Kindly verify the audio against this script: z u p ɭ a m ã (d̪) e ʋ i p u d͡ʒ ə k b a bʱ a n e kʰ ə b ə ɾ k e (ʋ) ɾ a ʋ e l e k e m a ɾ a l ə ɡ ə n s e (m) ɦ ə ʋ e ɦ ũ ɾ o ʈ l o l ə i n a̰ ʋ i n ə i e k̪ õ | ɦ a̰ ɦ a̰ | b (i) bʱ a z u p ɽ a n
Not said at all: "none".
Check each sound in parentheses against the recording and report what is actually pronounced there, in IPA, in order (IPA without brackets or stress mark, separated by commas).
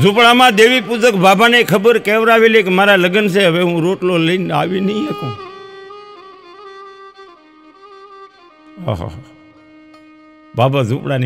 d̪, ʋ, none, a